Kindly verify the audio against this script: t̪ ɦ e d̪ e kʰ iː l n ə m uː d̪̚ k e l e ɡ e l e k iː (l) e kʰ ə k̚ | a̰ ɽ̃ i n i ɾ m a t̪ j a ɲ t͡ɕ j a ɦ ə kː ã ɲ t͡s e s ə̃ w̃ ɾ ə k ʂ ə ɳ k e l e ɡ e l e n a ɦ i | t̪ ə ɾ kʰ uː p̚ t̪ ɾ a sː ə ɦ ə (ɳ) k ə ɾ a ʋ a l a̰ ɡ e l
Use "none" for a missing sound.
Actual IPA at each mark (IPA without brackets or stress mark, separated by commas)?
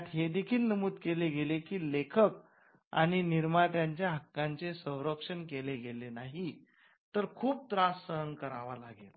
l, n